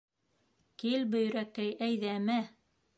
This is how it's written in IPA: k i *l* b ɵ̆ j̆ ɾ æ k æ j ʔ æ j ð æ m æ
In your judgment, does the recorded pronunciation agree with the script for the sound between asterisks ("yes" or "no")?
yes